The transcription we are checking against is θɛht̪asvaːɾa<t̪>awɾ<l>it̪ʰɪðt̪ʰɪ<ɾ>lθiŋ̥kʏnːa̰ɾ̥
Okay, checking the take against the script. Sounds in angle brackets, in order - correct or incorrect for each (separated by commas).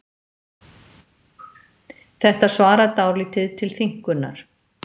correct, correct, incorrect